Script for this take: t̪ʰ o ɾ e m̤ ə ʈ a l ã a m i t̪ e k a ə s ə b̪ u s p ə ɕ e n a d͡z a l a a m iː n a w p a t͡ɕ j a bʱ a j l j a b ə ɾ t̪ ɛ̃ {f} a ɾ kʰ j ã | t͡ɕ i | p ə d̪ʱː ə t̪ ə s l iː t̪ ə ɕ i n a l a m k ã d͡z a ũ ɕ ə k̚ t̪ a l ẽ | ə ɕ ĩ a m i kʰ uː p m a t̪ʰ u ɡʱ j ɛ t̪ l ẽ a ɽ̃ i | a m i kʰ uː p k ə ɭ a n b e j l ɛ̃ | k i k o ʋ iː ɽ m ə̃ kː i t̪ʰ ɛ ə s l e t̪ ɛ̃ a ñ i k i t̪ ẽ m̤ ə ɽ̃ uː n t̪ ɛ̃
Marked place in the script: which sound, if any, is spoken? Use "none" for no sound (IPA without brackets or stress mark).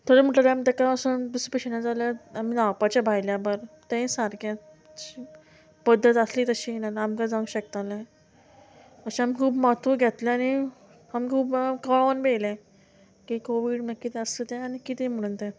s